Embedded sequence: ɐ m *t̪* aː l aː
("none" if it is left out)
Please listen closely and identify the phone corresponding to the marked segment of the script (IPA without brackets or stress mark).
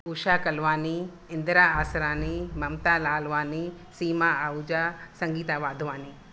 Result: t̪